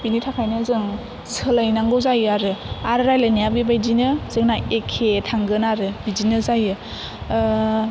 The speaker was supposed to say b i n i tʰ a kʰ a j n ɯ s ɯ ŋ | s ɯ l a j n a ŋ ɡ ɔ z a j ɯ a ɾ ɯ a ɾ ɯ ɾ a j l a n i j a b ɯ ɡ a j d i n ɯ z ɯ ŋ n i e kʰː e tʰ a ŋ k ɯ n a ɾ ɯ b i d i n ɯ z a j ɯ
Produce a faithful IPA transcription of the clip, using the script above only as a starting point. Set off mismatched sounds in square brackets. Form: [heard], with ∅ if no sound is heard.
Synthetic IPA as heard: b i n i tʰ a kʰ a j n ɯ [z] ɯ ŋ | s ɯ l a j n a ŋ ɡ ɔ z a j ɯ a ɾ ɯ a ɾ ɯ ɾ a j l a n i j a b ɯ [b] a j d i n ɯ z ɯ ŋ n [a] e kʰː e tʰ a ŋ [ɡ] ɯ n a ɾ ɯ b i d i n ɯ z a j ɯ